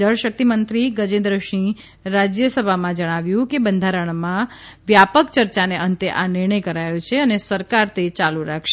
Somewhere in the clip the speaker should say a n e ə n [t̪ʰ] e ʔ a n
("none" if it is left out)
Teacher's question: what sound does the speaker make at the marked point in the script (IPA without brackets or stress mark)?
t̪